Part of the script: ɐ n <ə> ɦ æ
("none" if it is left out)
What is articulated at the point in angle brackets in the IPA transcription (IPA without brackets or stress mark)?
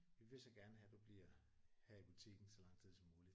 ə